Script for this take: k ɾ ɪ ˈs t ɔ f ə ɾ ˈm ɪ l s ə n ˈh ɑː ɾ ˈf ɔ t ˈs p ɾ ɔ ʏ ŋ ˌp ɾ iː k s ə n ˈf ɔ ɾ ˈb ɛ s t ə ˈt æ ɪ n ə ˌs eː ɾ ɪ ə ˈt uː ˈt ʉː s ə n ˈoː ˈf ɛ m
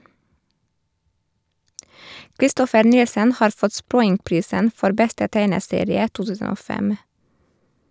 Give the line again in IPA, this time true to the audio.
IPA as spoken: k ɾ ɪ ˈs t ɔ f ə ɾ ˈn ɪ l s ə n ˈh ɑː ɾ ˈf ɔ t ˈs p ɾ ɔ ʏ ŋ ˌp ɾ iː s ə n ˈf ɔ ɾ ˈb ɛ s t ə ˈt æ ɪ n ə ˌs eː ɾ ɪ ə ˈt uː ˈt ʉː s ə n ˈoː ˈf ɛ m